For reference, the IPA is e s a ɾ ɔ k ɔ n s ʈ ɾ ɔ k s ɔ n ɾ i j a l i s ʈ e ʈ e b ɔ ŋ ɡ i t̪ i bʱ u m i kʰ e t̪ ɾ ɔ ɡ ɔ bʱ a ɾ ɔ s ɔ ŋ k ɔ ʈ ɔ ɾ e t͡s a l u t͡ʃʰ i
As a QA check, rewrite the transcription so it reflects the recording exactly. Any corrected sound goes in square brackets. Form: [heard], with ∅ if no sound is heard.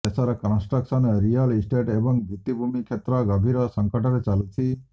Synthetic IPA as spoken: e s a ɾ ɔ k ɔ n s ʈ ɾ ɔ k s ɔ n ɾ i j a l i s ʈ e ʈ e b ɔ ŋ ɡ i t̪ i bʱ u m i kʰ e t̪ ɾ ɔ ɡ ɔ bʱ [i] ɾ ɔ s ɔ ŋ k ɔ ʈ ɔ ɾ e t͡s a l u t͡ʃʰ i